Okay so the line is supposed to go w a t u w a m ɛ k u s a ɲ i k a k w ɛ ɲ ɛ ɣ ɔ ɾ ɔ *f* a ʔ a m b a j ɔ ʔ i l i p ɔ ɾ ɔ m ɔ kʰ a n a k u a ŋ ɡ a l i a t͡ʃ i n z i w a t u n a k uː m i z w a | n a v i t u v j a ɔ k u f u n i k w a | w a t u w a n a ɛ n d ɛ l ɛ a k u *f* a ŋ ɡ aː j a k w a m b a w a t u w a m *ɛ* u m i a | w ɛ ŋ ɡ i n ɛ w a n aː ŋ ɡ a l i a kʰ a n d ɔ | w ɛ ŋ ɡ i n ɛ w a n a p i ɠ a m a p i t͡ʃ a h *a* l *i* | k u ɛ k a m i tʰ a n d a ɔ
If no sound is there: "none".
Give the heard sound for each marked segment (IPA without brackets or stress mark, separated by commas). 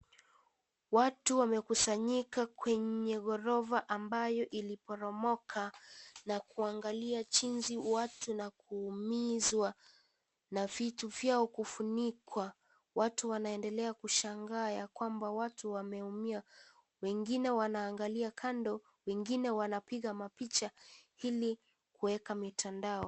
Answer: v, ʃ, ɛ, i, i